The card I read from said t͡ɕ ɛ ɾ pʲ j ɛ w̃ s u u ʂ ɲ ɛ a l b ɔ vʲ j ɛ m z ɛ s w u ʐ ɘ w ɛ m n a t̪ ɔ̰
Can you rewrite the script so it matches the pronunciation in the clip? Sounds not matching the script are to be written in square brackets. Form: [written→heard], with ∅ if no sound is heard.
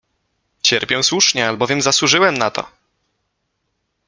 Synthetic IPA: t͡ɕ ɛ ɾ pʲ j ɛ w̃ s [u→w] u ʂ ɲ ɛ a l b ɔ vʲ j ɛ m z [ɛ→a] s w u ʐ ɘ w ɛ m n a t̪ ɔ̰